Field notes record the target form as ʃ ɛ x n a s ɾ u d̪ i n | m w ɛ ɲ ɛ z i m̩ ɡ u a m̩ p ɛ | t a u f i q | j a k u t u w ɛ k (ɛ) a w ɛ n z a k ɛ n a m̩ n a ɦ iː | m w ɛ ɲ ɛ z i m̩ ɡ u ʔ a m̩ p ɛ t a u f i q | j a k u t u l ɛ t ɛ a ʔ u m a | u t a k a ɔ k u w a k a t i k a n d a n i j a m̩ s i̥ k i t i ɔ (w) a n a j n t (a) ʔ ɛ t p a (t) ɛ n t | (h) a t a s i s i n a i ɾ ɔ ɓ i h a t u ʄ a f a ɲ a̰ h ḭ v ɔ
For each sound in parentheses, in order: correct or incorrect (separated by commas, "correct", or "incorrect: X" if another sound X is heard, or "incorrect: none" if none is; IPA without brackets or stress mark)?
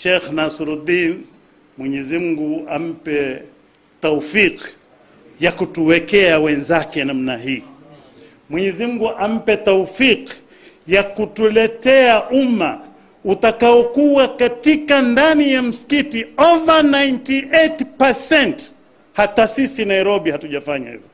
correct, incorrect: v, incorrect: i, incorrect: s, correct